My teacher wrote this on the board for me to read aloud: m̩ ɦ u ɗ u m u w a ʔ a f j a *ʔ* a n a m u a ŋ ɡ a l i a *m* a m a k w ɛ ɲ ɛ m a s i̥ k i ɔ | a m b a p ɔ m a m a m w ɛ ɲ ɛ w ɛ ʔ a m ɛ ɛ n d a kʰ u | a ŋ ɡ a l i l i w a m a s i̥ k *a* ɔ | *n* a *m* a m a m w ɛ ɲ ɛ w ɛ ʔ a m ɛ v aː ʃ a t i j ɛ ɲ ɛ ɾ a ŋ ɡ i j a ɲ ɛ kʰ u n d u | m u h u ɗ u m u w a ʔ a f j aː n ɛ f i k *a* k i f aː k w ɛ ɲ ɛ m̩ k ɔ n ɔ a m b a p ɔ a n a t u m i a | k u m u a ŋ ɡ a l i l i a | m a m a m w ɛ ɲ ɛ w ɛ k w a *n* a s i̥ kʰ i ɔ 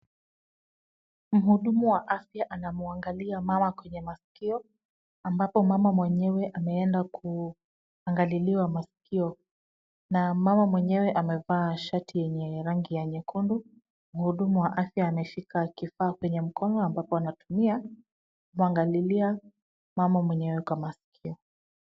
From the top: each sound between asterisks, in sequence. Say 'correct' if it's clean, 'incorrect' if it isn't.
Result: correct, correct, incorrect, correct, correct, correct, incorrect

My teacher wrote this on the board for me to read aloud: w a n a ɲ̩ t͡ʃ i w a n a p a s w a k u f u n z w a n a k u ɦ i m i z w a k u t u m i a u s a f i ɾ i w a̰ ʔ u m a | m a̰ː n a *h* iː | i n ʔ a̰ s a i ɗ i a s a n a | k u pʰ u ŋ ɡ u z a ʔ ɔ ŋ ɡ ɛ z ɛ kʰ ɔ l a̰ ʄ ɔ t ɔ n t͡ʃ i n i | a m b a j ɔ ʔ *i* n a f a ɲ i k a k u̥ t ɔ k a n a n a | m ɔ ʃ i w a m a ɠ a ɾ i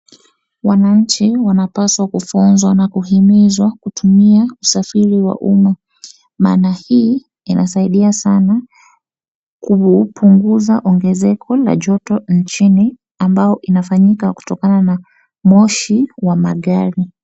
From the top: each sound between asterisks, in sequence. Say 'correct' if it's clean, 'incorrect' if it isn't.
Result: correct, correct

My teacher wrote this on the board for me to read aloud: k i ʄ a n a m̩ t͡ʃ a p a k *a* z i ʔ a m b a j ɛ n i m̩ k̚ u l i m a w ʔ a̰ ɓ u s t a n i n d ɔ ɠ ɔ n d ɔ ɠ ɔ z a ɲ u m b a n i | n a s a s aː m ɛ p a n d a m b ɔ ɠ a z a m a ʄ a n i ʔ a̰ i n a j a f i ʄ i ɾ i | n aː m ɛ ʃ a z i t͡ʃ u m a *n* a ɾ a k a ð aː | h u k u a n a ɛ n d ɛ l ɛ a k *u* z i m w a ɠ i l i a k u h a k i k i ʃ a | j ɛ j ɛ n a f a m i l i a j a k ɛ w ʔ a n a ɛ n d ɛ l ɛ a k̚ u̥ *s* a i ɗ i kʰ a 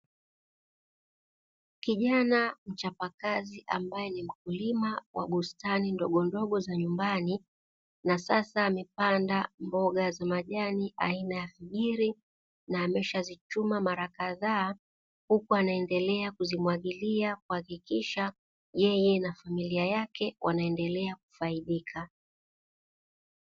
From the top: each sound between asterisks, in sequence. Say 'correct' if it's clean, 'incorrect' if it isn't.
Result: correct, incorrect, correct, incorrect

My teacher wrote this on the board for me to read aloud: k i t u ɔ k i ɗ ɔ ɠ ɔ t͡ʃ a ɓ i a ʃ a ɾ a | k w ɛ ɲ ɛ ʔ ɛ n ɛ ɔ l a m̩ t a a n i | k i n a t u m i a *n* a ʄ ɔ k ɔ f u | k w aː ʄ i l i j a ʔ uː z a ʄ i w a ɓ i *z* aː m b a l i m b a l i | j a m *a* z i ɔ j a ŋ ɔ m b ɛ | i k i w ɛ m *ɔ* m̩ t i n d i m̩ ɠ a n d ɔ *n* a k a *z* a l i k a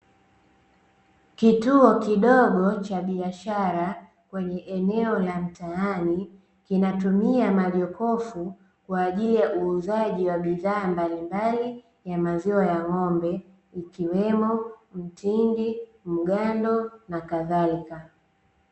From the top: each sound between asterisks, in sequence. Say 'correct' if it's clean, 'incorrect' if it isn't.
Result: incorrect, incorrect, correct, correct, correct, incorrect

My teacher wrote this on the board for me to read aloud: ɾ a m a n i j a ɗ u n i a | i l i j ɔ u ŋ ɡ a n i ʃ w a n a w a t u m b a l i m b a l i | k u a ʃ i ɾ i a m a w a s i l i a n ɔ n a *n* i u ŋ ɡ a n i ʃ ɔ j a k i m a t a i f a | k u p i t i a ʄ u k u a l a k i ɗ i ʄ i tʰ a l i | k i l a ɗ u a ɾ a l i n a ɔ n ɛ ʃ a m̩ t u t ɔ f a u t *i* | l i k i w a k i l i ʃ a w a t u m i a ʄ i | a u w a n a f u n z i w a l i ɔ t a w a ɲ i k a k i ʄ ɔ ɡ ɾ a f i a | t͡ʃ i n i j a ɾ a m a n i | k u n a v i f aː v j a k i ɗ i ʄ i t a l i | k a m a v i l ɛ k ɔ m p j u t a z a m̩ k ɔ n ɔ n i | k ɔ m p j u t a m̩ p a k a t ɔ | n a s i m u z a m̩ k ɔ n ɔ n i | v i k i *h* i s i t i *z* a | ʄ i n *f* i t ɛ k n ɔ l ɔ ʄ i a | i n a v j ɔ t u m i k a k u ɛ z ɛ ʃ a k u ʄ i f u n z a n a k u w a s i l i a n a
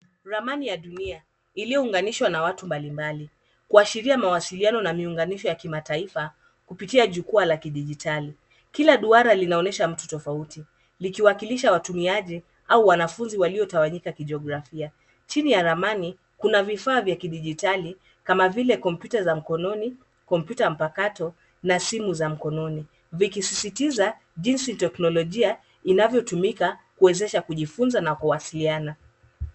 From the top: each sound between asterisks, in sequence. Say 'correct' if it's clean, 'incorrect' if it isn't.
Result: incorrect, correct, incorrect, correct, incorrect

